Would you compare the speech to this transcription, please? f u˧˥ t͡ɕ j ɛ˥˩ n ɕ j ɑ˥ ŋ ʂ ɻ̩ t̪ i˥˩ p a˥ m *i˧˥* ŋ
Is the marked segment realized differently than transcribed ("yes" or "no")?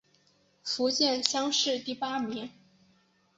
no